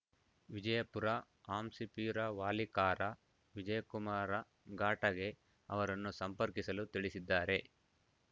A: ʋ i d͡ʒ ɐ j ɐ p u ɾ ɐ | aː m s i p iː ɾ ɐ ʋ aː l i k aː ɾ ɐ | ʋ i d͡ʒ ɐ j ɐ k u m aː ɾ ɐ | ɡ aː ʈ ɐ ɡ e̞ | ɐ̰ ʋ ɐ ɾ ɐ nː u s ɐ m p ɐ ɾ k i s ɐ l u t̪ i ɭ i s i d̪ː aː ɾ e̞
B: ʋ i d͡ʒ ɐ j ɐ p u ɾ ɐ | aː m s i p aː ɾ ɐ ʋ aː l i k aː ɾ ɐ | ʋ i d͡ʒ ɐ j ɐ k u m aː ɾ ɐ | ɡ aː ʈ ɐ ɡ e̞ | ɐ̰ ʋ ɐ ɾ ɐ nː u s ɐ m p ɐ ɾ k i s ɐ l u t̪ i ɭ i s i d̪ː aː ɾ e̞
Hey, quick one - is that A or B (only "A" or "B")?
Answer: A